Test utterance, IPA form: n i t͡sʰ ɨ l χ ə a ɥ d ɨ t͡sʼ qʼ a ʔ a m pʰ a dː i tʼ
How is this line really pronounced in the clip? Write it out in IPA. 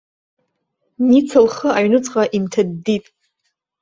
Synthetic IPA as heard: n i t͡sʰ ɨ l χ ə a ɥ n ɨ t͡sʼ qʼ a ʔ i m tʰ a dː i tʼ